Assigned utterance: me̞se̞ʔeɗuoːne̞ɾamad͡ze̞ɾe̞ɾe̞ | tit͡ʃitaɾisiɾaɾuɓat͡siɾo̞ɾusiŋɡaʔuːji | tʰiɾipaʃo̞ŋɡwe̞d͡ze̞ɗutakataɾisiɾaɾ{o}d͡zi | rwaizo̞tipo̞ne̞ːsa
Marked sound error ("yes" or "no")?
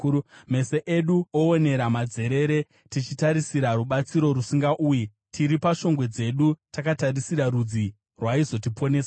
yes